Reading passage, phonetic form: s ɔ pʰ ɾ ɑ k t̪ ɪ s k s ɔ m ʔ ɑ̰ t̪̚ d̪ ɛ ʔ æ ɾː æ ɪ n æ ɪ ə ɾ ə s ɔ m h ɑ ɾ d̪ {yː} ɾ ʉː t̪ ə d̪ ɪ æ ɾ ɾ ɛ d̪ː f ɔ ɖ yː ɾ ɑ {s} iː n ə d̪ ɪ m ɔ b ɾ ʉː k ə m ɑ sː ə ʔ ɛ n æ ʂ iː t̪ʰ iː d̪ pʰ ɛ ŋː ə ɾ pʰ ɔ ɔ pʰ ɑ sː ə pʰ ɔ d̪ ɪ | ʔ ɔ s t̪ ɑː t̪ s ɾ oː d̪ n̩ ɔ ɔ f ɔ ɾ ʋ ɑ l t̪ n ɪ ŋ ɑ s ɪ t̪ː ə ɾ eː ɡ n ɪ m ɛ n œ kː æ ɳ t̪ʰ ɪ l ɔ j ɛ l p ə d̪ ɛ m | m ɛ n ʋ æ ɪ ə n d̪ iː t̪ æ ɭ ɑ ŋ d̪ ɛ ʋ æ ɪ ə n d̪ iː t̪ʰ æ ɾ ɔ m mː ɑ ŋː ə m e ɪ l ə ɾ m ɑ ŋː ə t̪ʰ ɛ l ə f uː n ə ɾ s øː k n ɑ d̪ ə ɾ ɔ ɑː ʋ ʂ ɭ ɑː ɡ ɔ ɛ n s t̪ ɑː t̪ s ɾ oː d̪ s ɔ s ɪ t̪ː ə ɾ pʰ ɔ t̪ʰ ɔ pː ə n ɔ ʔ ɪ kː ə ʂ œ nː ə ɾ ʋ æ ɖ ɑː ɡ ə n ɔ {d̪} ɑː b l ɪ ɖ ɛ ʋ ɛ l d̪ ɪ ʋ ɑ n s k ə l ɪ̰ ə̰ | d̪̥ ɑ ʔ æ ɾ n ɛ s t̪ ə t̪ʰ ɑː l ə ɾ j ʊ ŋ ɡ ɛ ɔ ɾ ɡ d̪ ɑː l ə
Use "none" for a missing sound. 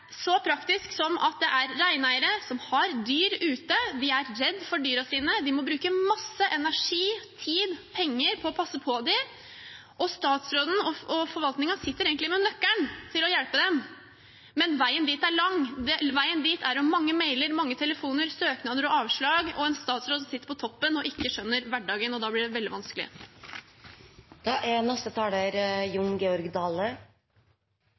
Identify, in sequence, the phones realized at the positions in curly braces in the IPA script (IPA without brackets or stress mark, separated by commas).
yː, s, d̪